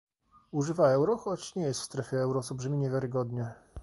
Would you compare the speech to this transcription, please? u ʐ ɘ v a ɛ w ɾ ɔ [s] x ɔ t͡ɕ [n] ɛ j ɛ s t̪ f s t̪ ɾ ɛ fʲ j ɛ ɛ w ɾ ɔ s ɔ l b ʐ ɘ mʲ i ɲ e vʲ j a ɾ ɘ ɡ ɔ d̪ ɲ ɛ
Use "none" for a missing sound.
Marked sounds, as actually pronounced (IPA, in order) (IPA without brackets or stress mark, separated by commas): none, ɲ